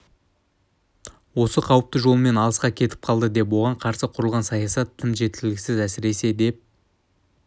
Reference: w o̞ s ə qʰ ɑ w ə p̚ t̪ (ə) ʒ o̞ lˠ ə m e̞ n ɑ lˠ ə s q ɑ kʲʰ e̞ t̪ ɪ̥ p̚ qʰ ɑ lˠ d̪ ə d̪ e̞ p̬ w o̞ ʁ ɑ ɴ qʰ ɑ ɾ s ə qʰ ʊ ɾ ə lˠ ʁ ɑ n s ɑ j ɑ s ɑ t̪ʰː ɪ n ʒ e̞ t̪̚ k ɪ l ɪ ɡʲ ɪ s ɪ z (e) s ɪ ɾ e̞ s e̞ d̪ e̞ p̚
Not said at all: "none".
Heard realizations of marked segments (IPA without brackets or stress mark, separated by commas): ə, æ